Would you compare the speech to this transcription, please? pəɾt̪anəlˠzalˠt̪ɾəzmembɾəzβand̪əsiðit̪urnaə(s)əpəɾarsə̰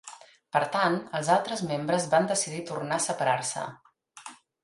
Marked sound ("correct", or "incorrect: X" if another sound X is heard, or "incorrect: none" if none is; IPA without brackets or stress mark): correct